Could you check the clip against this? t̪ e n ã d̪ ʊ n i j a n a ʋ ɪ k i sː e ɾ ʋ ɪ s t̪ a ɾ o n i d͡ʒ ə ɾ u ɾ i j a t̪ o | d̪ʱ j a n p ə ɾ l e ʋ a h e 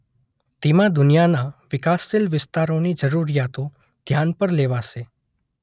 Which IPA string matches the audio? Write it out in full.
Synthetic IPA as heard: t̪ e m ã d̪ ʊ n i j a n a ʋ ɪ k a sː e l ʋ ɪ s t̪ a ɾ o n i d͡ʒ ə ɾ u ɾ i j a t̪ o | d̪ʱ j a n p ə ɾ l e ʋ a ʃ e